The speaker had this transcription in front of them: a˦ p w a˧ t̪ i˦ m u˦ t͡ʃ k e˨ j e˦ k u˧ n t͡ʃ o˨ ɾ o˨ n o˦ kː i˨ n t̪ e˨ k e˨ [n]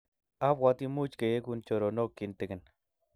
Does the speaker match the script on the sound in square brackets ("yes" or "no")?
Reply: yes